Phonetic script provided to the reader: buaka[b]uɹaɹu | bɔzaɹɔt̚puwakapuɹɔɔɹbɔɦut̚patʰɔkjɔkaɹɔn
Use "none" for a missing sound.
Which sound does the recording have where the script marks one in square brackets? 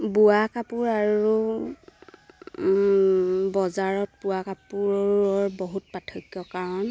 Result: p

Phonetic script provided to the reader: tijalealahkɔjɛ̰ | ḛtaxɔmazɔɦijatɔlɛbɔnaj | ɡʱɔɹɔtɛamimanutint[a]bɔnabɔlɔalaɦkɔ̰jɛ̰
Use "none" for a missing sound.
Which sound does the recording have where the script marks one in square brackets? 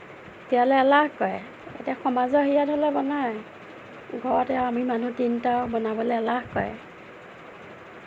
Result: a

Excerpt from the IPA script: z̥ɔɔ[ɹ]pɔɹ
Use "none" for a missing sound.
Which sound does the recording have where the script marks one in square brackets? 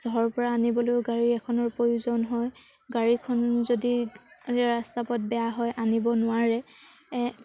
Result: ɹ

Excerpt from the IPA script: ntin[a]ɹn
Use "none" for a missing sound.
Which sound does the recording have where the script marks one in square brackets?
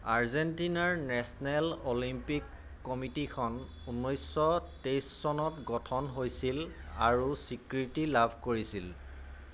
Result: a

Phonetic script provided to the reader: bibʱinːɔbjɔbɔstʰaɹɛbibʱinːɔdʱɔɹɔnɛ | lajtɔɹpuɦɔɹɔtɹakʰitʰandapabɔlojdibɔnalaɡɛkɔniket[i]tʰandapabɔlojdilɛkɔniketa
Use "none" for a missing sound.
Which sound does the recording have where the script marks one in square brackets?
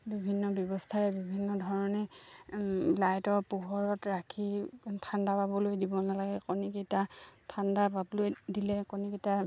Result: a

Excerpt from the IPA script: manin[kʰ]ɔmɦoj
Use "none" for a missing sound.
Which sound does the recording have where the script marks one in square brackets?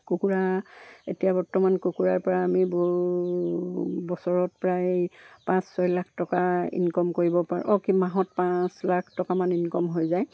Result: k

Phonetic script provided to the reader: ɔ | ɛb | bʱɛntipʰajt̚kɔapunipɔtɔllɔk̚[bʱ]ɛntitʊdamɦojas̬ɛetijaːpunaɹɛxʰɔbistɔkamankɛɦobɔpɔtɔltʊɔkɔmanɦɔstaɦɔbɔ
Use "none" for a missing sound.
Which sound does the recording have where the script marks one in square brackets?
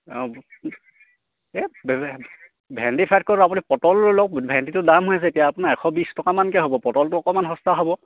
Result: bʱ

